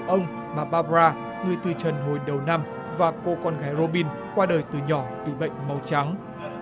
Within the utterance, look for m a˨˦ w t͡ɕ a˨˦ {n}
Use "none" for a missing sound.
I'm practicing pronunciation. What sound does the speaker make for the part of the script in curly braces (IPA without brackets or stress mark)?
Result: ŋ